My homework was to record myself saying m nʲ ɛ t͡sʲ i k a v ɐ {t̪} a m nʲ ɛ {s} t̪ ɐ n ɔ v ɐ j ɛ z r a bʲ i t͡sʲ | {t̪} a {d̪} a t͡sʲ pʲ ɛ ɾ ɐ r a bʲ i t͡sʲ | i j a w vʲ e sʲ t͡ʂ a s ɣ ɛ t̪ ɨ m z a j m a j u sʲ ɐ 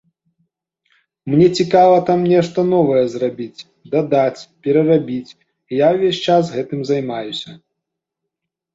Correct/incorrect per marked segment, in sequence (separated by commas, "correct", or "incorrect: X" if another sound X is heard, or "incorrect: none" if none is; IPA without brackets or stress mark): correct, incorrect: ʂ, incorrect: d̪, correct